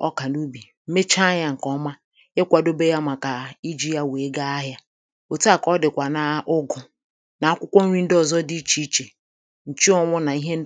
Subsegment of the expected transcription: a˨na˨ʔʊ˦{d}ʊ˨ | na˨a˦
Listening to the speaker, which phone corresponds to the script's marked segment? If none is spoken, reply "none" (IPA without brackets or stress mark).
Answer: ɡ